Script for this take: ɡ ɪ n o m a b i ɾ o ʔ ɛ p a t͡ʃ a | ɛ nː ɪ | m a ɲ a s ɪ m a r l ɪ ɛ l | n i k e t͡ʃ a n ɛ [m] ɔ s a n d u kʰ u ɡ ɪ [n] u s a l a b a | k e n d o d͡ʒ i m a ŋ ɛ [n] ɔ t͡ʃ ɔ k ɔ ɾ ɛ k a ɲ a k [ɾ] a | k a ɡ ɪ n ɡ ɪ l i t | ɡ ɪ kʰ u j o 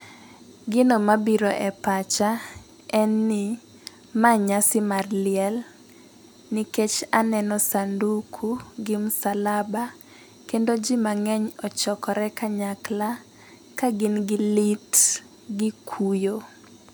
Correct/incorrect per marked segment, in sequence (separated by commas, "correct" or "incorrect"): incorrect, incorrect, incorrect, incorrect